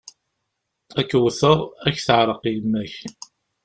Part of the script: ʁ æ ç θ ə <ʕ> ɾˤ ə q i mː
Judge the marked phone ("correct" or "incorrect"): correct